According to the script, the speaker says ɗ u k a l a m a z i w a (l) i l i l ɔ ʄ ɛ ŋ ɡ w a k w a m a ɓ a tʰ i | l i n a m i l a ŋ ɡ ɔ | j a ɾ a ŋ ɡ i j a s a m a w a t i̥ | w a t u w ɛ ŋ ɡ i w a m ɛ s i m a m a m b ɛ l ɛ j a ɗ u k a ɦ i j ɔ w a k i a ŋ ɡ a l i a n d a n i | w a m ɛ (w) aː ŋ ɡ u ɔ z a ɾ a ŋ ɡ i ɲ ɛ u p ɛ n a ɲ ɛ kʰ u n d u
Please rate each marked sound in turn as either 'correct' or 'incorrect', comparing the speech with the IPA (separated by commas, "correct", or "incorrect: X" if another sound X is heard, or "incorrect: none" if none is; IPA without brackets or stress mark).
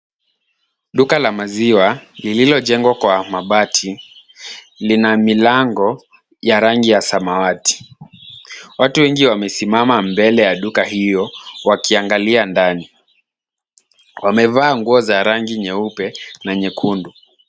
correct, incorrect: v